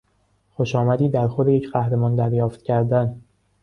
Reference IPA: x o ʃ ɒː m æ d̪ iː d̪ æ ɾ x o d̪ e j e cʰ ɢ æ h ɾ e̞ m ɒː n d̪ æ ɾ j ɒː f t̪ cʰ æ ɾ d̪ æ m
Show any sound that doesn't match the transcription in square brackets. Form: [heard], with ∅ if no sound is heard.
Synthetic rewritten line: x o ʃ ɒː m æ d̪ iː d̪ æ ɾ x o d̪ e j e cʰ ɢ æ h ɾ e̞ m ɒː n d̪ æ ɾ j ɒː f t̪ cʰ æ ɾ d̪ æ [n]